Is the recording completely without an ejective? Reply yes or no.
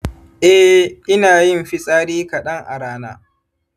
no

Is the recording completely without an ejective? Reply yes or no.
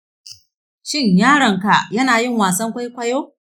yes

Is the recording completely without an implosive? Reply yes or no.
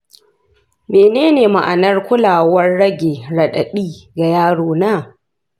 no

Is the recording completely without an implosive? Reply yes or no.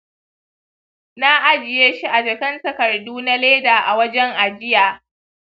yes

